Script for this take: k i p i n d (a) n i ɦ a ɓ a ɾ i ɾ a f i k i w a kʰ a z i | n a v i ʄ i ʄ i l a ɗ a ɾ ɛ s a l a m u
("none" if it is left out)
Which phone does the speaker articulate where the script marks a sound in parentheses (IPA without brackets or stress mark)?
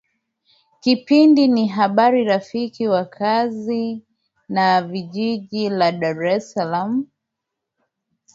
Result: i